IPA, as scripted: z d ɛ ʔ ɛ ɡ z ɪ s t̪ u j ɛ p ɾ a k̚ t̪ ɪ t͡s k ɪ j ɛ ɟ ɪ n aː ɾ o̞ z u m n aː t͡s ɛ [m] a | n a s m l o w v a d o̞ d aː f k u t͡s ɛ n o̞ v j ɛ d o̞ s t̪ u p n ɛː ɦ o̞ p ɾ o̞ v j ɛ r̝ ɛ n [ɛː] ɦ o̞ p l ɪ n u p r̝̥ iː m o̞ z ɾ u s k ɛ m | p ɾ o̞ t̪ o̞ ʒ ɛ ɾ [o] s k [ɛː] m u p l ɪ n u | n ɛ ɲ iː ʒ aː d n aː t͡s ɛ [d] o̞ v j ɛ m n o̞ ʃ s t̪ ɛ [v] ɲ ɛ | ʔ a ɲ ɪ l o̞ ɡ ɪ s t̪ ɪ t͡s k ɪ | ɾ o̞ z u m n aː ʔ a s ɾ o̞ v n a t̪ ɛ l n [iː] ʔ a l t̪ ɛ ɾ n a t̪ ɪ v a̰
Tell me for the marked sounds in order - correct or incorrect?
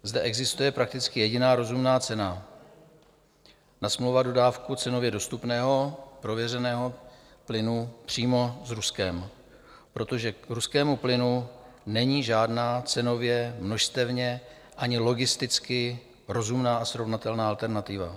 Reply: incorrect, correct, incorrect, correct, incorrect, correct, incorrect

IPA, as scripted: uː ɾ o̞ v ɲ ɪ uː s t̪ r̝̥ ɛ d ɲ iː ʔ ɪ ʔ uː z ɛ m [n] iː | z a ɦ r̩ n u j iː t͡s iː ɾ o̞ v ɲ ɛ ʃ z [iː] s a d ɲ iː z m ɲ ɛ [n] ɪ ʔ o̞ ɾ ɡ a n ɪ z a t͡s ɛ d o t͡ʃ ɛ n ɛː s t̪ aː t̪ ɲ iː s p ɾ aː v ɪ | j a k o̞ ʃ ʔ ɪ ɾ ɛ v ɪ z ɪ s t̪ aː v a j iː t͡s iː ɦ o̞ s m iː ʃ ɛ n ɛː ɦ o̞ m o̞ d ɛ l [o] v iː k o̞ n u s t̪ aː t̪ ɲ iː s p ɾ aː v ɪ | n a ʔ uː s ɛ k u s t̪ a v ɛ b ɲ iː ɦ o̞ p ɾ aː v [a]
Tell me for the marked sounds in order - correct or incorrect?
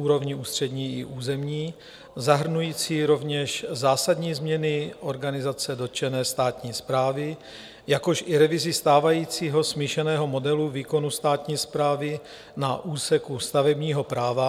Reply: incorrect, incorrect, correct, incorrect, correct

